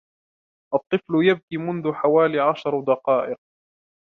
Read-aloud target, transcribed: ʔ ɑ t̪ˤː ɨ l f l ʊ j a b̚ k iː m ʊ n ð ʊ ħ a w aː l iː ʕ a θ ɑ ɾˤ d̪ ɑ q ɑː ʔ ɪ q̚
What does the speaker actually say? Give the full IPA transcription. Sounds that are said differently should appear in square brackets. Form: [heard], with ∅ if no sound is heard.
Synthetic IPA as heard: ʔ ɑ t̪ˤː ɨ [∅] f l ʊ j a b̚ k iː m ʊ n ð ʊ ħ a w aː l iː ʕ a [ʃ] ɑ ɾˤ d̪ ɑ q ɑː ʔ ɪ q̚